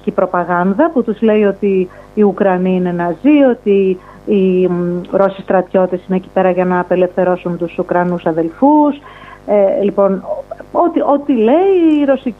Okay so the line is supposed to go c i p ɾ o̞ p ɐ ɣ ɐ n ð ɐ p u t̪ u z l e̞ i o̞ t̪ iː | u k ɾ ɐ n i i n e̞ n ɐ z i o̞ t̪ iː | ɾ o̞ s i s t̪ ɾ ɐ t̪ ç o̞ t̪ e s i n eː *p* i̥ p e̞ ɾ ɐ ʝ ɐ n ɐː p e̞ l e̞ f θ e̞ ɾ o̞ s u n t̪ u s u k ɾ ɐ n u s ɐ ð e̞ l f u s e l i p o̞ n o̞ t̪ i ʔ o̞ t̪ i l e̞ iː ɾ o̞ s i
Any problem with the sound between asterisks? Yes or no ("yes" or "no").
yes